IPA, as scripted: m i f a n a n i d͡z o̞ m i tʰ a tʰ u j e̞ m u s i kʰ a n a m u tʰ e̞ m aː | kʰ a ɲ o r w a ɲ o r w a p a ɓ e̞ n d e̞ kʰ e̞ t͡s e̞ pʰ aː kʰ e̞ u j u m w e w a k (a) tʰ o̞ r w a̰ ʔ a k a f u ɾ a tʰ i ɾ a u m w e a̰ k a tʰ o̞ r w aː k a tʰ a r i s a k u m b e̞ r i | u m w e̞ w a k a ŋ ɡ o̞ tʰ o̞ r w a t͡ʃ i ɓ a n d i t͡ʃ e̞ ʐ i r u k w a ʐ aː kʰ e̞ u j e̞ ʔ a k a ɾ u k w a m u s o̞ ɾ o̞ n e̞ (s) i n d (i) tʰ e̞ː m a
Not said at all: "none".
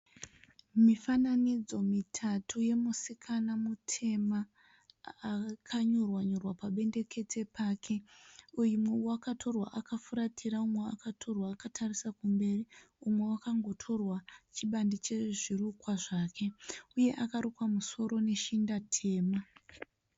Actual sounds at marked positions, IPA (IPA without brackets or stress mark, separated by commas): a, ʃ, a